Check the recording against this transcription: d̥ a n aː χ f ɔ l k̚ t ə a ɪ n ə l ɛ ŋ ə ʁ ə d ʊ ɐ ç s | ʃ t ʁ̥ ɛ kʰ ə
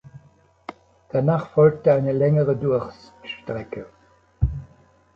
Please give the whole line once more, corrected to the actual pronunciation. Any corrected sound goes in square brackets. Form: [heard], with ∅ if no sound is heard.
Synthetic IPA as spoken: d̥ a n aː χ f ɔ l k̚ t ə a ɪ n ə l ɛ ŋ ə ʁ ə d ʊ ɐ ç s | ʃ t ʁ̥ ɛ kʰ ə

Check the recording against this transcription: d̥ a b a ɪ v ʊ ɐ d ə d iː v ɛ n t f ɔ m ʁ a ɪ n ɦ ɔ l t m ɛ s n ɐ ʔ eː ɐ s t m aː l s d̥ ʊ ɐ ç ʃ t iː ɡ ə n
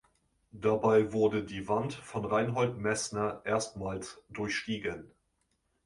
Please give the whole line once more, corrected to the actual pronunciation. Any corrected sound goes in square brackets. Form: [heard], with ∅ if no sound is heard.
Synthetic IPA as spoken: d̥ a b a ɪ v ʊ ɐ d ə d iː v [a] n t f ɔ [n] ʁ a ɪ n ɦ ɔ l t m ɛ s n ɐ ʔ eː ɐ s t m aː l s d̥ ʊ ɐ ç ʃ t iː ɡ ə n

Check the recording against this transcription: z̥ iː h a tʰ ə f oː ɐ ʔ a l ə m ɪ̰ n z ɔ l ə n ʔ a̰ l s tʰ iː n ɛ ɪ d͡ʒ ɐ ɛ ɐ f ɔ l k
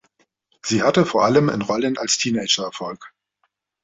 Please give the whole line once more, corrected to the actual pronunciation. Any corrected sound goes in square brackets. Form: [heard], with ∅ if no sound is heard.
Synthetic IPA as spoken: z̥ iː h a [t] ə f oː ɐ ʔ a l ə m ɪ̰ n [ʁ] ɔ l ə n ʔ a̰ l s tʰ iː n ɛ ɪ d͡ʒ ɐ ɛ ɐ f ɔ l k

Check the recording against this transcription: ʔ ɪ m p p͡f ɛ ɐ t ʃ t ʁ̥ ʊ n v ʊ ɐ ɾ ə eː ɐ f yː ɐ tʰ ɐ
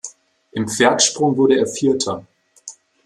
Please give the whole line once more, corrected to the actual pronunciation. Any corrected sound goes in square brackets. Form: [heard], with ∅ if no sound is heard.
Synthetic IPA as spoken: ʔ ɪ m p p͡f ɛ ɐ t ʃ [p] ʁ̥ ʊ [ŋ] v ʊ ɐ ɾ ə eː ɐ f [iː] ɐ tʰ ɐ

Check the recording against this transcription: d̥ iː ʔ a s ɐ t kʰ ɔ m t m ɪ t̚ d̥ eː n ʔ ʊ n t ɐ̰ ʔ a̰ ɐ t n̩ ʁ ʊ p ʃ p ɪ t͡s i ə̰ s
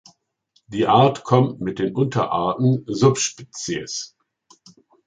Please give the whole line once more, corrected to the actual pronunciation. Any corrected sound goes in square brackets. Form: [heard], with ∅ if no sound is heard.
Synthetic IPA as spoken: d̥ iː ʔ a [∅] ɐ t kʰ ɔ m t m ɪ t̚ d̥ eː n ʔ ʊ n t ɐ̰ ʔ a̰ ɐ t n̩ [z] ʊ p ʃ p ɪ t͡s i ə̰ s

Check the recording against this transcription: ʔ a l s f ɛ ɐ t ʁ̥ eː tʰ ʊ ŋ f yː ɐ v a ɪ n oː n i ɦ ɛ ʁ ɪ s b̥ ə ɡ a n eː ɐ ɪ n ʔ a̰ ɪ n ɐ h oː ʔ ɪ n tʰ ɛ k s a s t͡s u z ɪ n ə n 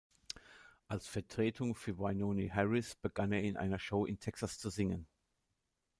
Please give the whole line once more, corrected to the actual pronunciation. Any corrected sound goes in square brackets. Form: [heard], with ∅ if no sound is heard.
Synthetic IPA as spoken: ʔ a l s f ɛ ɐ t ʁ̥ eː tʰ ʊ ŋ f yː ɐ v a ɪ n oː n i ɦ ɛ ʁ ɪ s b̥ ə ɡ a n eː ɐ ɪ n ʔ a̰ ɪ n ɐ [ʃ] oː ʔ ɪ n tʰ ɛ k s a s t͡s u z ɪ [ŋ] ə n

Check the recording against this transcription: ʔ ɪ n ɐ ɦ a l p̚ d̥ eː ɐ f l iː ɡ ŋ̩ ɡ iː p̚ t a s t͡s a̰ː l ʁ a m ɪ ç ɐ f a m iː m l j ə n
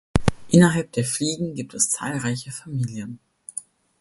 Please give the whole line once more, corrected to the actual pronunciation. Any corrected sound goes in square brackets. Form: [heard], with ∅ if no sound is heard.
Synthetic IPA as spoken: ʔ ɪ n ɐ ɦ a l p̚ d̥ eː ɐ f l iː ɡ ŋ̩ ɡ iː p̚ t [ɛ] s t͡s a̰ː l ʁ a [∅] ɪ ç [ə] f a m iː [∅] l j ə n

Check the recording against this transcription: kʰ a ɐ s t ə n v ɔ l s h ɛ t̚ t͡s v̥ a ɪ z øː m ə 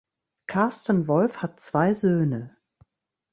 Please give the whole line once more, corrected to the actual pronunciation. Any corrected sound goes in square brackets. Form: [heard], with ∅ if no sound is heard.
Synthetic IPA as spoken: kʰ a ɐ s t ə n v ɔ l [f] h [a] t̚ t͡s v̥ a ɪ z øː [n] ə

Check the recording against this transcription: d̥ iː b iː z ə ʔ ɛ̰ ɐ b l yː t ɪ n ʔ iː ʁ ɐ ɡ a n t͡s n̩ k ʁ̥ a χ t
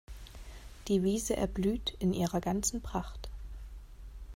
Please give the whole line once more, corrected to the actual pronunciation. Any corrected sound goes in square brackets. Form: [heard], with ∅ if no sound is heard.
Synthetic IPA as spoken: d̥ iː [v] iː z ə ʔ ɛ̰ ɐ b l yː t ɪ n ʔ iː ʁ ɐ ɡ a n t͡s n̩ [p] ʁ̥ a χ t

